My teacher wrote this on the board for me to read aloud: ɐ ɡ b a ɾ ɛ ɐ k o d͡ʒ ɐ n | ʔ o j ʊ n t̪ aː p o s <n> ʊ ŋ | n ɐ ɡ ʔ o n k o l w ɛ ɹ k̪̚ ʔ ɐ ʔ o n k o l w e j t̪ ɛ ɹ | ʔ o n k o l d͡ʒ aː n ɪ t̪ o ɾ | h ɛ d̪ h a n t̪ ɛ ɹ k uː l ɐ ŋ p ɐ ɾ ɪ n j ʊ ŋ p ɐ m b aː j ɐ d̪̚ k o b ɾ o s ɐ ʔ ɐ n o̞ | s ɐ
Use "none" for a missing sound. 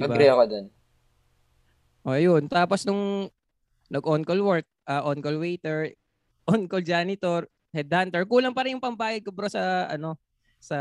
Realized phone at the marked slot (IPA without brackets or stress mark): n